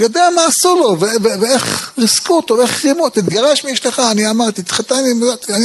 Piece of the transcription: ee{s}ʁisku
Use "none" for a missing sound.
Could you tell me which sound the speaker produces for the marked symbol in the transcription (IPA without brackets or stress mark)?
χ